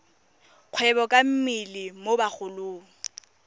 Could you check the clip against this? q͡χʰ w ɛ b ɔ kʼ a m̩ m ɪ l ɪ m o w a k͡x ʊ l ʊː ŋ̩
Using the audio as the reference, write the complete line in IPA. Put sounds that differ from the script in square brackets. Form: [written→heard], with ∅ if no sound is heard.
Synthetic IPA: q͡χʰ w ɛ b ɔ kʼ a m̩ m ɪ l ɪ m o [w→b] a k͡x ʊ l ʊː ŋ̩